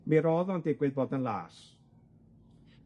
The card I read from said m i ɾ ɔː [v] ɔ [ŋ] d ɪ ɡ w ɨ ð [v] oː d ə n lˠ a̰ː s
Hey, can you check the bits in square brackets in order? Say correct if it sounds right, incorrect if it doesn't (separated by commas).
incorrect, incorrect, incorrect